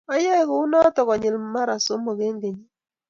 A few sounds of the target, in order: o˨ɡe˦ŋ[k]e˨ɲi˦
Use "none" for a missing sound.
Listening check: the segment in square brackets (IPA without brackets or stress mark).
ɡ